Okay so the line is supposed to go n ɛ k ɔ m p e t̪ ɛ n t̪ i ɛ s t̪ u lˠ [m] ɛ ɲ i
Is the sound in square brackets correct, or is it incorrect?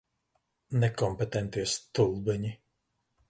incorrect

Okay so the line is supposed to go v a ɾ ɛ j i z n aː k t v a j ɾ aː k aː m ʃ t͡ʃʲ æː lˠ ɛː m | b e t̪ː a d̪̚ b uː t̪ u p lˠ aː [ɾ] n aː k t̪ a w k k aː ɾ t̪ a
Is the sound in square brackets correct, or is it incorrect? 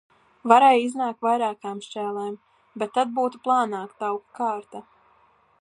incorrect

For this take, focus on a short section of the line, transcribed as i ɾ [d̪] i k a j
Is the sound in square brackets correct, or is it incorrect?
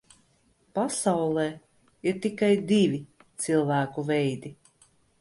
incorrect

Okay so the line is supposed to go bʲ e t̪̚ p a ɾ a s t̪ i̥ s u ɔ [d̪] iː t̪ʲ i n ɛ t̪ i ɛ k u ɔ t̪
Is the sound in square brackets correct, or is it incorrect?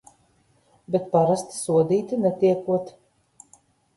correct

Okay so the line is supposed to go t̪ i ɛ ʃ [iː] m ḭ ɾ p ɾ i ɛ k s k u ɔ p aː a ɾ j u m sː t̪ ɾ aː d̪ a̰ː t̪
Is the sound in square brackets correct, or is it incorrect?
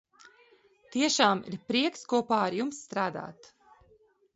incorrect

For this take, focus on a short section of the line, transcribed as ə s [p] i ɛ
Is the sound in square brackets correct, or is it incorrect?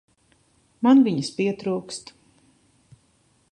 correct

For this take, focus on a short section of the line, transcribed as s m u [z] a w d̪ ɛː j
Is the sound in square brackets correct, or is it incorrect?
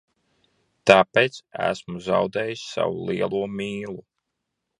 correct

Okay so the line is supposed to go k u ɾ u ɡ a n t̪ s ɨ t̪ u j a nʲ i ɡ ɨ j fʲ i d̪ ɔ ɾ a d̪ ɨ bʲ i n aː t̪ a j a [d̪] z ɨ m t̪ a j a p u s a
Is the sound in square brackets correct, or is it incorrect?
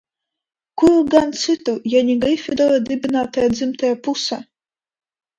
correct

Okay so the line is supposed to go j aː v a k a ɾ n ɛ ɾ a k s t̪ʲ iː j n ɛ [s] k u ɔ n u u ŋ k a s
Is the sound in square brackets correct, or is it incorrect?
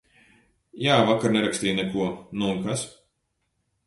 incorrect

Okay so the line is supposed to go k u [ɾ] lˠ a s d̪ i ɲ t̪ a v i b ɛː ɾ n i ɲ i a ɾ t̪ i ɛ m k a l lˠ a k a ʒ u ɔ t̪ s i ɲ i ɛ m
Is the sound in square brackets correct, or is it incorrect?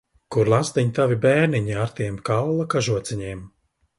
correct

